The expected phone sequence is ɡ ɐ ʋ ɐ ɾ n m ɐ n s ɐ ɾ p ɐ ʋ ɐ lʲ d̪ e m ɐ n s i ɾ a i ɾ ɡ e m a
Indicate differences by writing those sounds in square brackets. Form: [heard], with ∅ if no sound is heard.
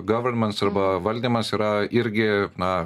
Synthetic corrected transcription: ɡ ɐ ʋ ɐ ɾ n m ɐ n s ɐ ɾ [b] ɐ ʋ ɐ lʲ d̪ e m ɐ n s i ɾ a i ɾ ɡ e [n] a